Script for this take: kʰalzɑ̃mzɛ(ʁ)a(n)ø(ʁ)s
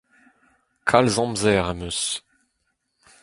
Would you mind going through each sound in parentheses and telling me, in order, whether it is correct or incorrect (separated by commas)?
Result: correct, incorrect, incorrect